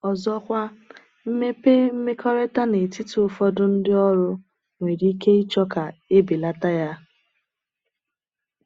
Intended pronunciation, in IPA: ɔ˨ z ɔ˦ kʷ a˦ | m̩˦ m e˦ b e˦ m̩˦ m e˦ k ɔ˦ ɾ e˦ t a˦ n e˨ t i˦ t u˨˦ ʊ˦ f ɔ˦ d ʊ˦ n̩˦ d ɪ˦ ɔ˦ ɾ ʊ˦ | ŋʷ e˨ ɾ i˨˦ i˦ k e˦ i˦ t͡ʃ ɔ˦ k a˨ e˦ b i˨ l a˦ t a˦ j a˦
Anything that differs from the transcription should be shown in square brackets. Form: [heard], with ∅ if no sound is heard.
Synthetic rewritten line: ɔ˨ z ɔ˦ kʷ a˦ | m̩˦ m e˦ [p] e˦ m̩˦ m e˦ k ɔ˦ ɾ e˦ t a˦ n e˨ t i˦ t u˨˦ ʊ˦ f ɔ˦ d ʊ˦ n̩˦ d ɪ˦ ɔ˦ ɾ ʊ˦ | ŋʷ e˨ ɾ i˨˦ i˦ k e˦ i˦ t͡ʃ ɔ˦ k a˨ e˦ b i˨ l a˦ t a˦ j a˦